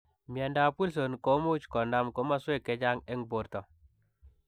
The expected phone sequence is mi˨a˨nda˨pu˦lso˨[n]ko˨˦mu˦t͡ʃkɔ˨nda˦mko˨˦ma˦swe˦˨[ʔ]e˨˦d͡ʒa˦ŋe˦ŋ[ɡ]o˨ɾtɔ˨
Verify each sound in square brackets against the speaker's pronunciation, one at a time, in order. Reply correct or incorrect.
correct, incorrect: k, incorrect: b

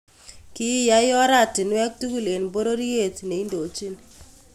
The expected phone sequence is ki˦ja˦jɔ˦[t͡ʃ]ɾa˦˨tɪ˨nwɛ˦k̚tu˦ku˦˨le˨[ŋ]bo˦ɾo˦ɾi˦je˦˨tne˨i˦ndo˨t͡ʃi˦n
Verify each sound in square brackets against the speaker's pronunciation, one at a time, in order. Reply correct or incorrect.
incorrect: none, incorrect: n

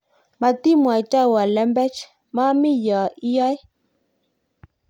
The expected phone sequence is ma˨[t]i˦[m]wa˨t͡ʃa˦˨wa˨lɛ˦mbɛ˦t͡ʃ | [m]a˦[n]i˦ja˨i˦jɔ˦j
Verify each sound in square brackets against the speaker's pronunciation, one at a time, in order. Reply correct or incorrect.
correct, correct, correct, incorrect: m

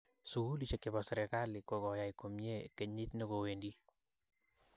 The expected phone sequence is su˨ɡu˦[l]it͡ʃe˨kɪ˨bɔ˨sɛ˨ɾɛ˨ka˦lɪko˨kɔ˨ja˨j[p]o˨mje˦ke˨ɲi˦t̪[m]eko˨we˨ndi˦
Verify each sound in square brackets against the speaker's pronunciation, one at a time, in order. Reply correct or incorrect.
correct, incorrect: k, incorrect: n

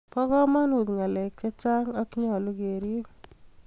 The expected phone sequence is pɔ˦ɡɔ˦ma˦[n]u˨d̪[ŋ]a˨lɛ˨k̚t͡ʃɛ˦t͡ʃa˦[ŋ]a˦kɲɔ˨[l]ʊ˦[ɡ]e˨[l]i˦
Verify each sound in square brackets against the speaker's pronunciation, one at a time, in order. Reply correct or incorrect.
correct, correct, correct, correct, correct, incorrect: ɾ

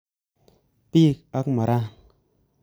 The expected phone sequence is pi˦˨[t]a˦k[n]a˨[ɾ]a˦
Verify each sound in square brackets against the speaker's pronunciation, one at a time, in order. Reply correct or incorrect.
incorrect: k, incorrect: m, correct

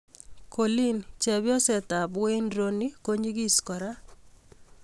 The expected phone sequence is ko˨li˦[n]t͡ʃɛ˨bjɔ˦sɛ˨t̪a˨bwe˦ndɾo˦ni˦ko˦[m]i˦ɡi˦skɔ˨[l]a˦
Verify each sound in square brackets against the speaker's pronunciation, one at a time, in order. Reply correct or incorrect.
correct, incorrect: ɲ, incorrect: ɾ

